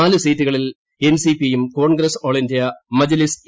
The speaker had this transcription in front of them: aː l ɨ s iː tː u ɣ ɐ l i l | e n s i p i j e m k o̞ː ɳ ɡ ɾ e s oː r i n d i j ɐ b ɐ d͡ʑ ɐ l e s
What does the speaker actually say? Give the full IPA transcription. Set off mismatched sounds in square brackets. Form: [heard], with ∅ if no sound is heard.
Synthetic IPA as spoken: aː l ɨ s iː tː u ɣ ɐ [ɭ] i l | e n s i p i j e m k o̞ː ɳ ɡ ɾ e s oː [ɭ] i n d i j ɐ [m] ɐ d͡ʑ ɐ l [i] s